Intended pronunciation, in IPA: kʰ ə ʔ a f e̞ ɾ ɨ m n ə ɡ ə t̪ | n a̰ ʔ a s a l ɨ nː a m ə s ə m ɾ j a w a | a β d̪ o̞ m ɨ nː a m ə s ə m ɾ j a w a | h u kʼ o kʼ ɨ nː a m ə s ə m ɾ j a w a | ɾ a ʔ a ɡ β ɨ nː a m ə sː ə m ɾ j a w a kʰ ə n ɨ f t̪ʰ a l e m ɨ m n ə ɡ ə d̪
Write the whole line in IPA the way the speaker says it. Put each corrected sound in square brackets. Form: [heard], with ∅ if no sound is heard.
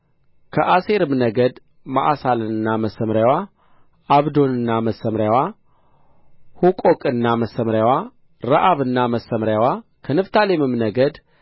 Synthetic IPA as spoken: kʰ ə ʔ a [s] e̞ ɾ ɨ m n ə ɡ ə [d̪] | [m] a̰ ʔ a s a l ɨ nː a m ə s ə m ɾ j a w a | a β d̪ o̞ [n] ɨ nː a m ə s ə m ɾ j a w a | h u kʼ o kʼ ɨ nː a m ə s ə m ɾ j a w a | ɾ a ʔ a [∅] β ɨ nː a m ə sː ə m ɾ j a w a kʰ ə n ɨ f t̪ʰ a l e m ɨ m n ə ɡ ə d̪